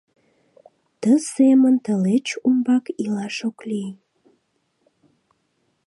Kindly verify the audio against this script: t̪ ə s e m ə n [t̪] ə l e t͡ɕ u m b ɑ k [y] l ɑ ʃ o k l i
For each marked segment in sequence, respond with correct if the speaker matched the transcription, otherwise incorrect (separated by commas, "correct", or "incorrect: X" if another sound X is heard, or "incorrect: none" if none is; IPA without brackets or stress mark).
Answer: correct, incorrect: i